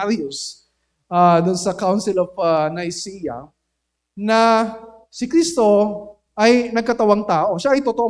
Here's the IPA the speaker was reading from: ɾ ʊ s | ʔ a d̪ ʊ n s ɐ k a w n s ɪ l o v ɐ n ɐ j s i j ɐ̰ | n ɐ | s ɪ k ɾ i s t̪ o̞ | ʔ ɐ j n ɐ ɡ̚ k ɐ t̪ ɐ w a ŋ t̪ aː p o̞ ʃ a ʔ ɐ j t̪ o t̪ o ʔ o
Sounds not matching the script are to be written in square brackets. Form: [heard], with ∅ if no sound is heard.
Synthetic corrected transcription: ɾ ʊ s | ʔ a d̪ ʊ n s ɐ k a w n s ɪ l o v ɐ n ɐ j s i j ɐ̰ | n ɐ | s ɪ k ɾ i s t̪ o̞ | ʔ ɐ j n ɐ ɡ̚ k ɐ t̪ ɐ w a ŋ t̪ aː [ʔ] o̞ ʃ a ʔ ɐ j t̪ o t̪ o ʔ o